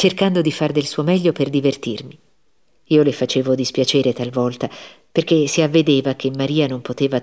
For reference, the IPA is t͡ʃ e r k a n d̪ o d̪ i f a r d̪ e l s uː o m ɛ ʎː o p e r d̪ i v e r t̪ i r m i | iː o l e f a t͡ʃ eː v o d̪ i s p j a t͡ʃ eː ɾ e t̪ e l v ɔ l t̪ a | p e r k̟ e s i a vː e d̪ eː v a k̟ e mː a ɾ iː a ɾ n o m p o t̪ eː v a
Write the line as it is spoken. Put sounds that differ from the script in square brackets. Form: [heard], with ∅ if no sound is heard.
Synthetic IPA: t͡ʃ e r k a n d̪ o d̪ i f a r d̪ e l s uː o m ɛ ʎː o p e r d̪ i v e r t̪ i r m i | iː o l e f a t͡ʃ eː v o d̪ i s p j a t͡ʃ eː ɾ e t̪ [a] l v ɔ l t̪ a | p e r k̟ e s i a vː e d̪ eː v a k̟ e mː a ɾ iː a [∅] n o m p o t̪ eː v a